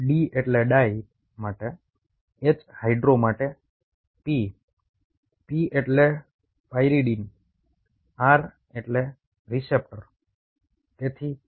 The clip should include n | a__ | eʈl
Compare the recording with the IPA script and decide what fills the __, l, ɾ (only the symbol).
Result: ɾ